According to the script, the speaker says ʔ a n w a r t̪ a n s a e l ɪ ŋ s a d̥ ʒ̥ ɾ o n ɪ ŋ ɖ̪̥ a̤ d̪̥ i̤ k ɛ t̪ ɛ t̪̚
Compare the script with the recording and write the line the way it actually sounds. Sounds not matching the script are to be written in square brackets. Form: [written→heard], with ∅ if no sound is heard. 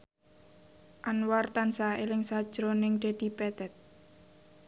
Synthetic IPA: ʔ a n w a r t̪ a n s a e l ɪ ŋ s a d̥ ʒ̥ ɾ o n ɪ ŋ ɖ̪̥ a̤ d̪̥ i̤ [k→p] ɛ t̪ ɛ t̪̚